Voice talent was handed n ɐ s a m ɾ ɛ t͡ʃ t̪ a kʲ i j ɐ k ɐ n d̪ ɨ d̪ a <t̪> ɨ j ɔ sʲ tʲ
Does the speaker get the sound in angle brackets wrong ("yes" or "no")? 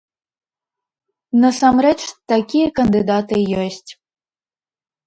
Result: no